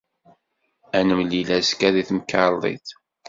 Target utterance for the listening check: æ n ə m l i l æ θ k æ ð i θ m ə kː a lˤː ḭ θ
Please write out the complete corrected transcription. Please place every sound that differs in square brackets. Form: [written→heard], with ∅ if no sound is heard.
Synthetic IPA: æ n ə m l i l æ [θ→s] k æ ð i θ m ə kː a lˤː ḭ θ